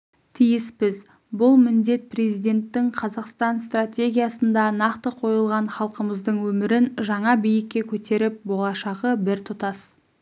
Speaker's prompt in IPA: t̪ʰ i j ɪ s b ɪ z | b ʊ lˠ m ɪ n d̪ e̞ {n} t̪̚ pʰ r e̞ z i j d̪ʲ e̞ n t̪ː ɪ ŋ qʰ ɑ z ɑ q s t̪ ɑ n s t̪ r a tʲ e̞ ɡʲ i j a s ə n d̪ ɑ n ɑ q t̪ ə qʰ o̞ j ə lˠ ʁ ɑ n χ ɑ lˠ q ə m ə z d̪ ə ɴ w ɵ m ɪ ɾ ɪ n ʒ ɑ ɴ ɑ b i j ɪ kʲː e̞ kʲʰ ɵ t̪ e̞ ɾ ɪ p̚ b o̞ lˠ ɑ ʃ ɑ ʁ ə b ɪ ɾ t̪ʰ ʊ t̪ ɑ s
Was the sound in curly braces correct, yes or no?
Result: no